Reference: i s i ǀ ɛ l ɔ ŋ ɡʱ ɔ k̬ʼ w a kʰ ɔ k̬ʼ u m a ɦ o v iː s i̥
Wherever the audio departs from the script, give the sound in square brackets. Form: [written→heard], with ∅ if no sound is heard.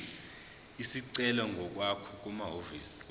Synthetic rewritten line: i s i ǀ ɛ l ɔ ŋ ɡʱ ɔ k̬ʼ w a kʰ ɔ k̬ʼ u m a ɦ o v iː s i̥